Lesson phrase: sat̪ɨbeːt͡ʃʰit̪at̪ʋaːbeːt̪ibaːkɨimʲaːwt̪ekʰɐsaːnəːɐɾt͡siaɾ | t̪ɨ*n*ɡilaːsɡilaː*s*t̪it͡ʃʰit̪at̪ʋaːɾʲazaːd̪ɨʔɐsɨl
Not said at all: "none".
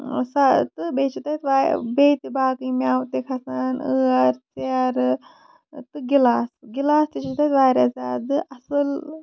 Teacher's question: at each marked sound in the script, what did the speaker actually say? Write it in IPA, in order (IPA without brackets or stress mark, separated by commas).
none, s